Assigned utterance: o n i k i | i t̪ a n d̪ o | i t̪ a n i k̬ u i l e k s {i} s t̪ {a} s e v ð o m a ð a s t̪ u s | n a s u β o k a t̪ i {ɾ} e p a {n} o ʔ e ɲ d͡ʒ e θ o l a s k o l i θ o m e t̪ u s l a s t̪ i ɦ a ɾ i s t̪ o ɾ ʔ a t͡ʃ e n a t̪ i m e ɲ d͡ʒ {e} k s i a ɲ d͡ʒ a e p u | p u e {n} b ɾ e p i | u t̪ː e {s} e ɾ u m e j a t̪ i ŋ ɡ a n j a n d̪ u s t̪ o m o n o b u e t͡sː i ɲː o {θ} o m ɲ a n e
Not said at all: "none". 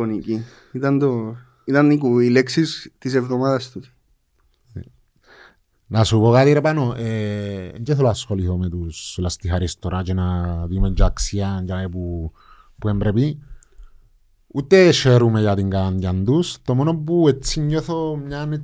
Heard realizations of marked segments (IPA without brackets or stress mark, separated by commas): i, i, ɾ, n, a, m, ʃ, θ